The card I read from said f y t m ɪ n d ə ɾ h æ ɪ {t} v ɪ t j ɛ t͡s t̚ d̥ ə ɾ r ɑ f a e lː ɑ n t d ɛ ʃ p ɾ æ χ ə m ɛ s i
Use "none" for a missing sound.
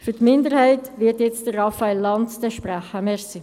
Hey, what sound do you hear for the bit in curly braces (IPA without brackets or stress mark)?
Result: t